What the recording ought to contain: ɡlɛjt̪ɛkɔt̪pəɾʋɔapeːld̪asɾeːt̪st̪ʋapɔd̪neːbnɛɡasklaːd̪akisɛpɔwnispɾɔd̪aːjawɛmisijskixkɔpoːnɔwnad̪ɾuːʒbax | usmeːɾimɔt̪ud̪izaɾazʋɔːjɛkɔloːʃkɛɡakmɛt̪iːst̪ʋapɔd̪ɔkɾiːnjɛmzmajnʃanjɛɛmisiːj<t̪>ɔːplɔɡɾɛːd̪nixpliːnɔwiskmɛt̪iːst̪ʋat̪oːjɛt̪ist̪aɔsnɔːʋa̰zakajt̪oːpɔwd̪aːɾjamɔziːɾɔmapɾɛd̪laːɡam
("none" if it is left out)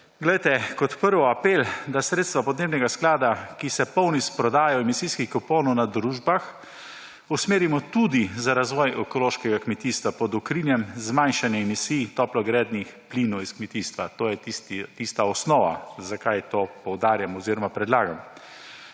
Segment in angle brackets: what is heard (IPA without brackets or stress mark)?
t̪